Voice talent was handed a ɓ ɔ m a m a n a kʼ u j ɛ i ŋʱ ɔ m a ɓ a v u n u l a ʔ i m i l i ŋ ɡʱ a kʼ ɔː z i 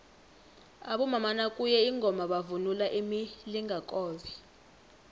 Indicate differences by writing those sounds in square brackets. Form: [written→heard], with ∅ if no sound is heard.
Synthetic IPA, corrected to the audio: a ɓ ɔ m a m a n a kʼ u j ɛ i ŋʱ ɔ m a ɓ a v u n u l a ʔ i m i l i ŋ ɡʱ a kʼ ɔː z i